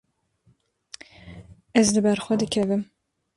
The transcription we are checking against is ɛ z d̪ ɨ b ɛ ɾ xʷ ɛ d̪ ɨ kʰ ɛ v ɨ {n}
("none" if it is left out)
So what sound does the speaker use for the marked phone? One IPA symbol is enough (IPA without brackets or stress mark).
m